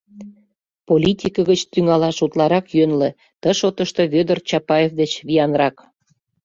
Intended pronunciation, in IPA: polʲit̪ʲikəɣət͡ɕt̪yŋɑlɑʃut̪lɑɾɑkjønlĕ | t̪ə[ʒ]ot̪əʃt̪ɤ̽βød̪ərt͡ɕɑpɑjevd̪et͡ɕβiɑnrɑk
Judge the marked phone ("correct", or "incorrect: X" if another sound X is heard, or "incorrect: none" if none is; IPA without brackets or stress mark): incorrect: ʃ